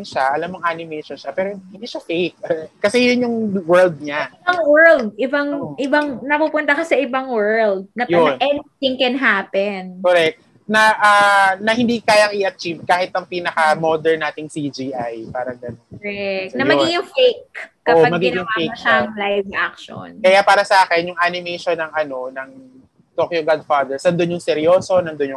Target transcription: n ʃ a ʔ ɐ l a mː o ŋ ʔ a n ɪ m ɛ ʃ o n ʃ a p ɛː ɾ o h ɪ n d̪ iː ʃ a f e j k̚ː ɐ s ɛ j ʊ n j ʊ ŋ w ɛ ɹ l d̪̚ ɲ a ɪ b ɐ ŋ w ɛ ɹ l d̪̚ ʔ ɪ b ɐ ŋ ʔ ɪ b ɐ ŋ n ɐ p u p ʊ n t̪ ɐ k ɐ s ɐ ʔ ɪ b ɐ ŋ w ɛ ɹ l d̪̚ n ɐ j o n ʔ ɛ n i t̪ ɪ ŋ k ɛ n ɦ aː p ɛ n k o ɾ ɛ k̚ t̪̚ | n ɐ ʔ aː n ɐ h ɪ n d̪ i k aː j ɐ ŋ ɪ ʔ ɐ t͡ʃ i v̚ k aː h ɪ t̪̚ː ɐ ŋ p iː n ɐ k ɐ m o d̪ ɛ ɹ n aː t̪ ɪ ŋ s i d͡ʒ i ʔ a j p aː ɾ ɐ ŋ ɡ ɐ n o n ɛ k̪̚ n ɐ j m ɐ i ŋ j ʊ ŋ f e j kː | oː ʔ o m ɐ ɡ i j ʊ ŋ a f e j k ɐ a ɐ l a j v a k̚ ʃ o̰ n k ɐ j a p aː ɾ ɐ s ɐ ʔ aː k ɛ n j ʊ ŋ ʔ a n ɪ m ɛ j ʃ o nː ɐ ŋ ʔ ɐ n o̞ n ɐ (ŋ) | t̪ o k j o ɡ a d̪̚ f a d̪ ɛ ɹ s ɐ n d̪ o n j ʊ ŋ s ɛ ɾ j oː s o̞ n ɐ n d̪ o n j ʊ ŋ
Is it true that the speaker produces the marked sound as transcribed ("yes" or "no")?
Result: yes